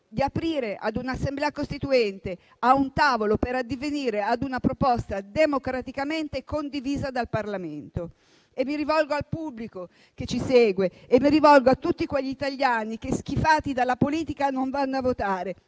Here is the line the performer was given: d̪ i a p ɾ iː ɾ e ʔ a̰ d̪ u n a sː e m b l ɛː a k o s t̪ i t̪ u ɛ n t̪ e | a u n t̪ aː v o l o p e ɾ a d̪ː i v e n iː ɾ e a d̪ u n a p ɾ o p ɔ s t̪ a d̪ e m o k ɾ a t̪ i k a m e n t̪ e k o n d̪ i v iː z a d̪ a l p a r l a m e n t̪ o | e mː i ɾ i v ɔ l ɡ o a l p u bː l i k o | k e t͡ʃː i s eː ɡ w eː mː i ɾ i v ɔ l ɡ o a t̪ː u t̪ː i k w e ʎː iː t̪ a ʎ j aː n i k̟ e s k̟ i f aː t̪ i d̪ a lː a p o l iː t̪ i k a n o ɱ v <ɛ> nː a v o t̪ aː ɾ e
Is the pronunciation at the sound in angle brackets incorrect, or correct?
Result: incorrect